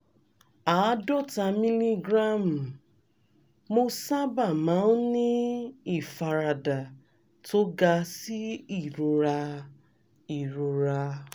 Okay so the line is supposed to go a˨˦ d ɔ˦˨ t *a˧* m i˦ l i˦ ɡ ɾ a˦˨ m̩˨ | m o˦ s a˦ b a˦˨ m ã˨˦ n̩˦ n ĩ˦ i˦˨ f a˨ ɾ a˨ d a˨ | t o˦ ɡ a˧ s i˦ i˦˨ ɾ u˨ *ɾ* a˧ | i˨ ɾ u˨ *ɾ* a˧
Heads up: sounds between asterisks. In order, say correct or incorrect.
correct, correct, correct

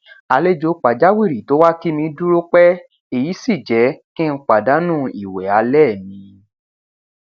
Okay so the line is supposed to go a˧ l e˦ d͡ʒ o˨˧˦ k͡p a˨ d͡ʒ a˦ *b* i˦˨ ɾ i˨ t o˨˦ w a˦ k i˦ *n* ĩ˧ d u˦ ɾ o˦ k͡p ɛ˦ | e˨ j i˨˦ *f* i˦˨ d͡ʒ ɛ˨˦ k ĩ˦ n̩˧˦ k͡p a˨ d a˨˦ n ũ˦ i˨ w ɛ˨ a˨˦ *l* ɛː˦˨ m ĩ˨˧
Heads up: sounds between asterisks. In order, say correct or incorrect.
incorrect: w, incorrect: m, incorrect: s, correct

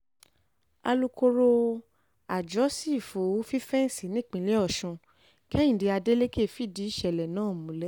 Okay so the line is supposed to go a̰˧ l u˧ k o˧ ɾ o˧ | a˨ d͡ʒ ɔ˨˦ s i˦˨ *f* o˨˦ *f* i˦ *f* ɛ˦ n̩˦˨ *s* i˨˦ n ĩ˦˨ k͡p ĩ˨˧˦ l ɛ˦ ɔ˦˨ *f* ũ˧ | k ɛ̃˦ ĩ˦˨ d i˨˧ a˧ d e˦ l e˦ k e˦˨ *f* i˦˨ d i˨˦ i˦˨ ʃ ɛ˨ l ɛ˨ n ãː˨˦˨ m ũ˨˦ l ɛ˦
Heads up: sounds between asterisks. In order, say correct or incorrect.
correct, correct, correct, correct, incorrect: ʃ, correct

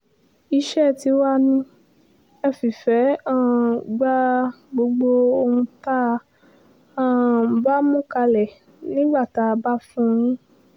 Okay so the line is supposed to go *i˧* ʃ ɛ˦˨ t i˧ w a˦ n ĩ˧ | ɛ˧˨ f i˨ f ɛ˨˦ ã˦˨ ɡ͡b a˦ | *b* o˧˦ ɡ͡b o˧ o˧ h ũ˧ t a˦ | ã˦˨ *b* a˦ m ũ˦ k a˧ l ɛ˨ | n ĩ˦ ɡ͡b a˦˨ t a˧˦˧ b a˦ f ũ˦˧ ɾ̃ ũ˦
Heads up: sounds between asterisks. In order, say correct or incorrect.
correct, incorrect: ɡ͡b, correct

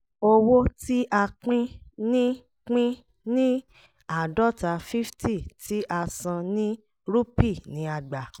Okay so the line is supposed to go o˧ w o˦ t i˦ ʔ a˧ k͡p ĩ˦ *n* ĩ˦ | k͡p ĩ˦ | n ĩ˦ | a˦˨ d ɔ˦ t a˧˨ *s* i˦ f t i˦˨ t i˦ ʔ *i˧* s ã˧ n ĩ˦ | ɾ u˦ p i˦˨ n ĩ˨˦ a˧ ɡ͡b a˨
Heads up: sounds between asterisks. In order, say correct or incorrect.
correct, incorrect: f, incorrect: a˧

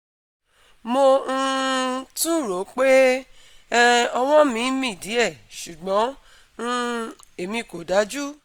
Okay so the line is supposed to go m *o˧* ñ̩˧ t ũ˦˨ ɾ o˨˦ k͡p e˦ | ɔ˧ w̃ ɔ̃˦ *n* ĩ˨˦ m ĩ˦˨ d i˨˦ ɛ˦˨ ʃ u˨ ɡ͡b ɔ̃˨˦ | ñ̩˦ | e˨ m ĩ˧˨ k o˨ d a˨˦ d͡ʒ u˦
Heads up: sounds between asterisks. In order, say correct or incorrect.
correct, incorrect: m

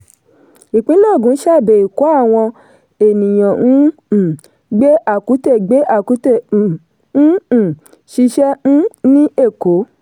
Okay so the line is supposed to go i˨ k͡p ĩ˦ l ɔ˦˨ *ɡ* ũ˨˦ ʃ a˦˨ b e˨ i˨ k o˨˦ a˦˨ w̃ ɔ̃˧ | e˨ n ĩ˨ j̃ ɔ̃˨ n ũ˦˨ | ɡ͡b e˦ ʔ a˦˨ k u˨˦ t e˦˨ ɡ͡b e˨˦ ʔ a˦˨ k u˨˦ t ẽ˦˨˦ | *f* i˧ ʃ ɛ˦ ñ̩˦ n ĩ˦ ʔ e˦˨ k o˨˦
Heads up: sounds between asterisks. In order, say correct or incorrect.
correct, incorrect: ʃ

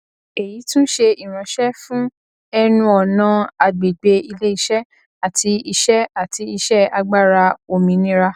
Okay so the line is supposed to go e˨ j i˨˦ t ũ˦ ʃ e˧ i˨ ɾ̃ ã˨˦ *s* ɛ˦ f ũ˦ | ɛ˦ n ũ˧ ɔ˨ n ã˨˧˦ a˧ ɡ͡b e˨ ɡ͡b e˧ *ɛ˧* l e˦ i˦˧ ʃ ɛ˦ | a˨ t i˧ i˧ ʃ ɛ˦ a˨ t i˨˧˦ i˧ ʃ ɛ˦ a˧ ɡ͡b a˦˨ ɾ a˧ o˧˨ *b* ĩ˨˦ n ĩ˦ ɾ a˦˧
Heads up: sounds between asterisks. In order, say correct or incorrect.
incorrect: ʃ, incorrect: i˧, incorrect: m

